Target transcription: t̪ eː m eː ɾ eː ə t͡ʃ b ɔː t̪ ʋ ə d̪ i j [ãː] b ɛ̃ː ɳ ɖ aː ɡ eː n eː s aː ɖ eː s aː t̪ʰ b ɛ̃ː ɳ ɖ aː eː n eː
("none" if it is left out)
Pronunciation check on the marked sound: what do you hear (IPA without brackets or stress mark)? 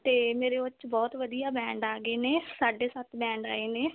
aː